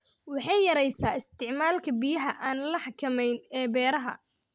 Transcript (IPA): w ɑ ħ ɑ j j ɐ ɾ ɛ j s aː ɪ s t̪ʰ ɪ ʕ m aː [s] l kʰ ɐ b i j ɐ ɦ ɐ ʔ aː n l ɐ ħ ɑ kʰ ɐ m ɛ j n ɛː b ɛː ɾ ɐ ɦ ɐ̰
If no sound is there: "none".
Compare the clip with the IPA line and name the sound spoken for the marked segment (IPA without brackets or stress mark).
none